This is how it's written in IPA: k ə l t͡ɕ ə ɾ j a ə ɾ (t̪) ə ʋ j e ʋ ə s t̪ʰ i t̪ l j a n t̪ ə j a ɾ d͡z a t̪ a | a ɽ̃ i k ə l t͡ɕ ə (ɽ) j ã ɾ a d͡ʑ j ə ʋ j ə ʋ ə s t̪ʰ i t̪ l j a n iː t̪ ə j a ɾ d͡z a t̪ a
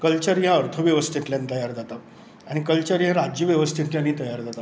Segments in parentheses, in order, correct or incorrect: incorrect: t̪ʰ, incorrect: ɾ

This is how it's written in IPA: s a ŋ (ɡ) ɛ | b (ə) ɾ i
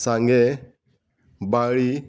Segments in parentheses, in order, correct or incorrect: correct, incorrect: a

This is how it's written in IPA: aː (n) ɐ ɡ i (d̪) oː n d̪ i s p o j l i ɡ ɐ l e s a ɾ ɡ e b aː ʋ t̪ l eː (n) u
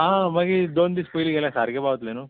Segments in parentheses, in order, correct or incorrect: incorrect: m, correct, correct

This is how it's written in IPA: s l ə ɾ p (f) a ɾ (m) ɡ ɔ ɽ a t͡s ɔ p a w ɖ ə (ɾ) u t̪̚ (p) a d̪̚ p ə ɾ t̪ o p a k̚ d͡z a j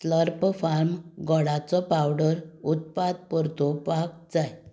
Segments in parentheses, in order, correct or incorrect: correct, correct, correct, correct

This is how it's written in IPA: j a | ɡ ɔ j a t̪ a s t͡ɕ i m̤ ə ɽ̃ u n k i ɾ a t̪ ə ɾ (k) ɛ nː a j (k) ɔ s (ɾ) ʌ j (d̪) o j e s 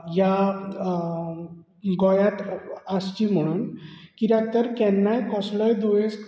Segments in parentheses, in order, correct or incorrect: correct, correct, incorrect: l, correct

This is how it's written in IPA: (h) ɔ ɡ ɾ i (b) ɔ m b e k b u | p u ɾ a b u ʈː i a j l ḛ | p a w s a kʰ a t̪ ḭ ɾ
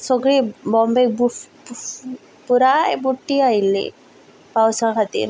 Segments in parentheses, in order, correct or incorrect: incorrect: s, correct

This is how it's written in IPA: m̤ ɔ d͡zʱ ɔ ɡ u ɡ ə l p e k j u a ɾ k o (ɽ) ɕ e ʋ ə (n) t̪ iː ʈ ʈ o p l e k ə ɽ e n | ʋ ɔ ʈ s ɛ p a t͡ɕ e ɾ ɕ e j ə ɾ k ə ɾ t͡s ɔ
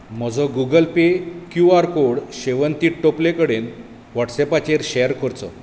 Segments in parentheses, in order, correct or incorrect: correct, correct

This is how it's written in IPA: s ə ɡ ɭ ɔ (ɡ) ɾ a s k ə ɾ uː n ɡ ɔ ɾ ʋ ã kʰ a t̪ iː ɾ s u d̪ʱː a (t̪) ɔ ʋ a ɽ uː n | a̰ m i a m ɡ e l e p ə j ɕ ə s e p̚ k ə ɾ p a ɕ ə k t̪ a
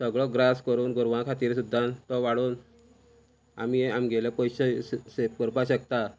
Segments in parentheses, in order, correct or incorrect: correct, correct

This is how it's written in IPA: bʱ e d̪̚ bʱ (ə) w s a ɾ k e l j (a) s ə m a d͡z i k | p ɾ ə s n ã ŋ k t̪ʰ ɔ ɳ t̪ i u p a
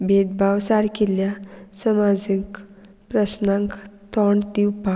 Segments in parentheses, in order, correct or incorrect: incorrect: a, correct

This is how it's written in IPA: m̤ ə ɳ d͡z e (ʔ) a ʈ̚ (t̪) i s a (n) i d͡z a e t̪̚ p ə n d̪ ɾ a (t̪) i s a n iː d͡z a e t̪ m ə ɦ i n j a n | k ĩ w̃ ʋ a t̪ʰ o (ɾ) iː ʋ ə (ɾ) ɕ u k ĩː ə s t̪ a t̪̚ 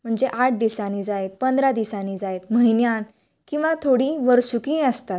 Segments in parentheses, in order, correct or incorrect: correct, incorrect: d̪, correct, incorrect: d̪, incorrect: ɽ, correct

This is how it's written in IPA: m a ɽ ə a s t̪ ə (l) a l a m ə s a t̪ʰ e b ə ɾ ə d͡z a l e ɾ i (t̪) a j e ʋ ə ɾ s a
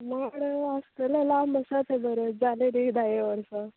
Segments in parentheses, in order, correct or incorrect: correct, incorrect: d̪

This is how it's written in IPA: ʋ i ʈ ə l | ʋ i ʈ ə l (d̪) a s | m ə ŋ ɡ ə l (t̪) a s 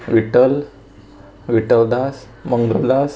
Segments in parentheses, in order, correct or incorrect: correct, incorrect: d̪

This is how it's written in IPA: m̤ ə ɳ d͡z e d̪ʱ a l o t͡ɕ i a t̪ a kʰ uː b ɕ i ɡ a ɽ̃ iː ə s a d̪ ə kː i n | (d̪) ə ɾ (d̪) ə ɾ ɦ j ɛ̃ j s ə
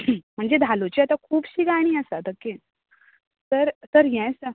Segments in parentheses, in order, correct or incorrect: incorrect: t̪, incorrect: t̪

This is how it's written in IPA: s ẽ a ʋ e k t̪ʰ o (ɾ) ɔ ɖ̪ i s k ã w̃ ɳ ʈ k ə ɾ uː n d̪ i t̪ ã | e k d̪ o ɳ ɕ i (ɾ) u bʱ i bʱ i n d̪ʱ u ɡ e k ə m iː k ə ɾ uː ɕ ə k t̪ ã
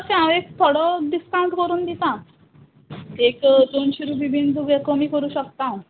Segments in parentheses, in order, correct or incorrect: incorrect: ɽ, correct

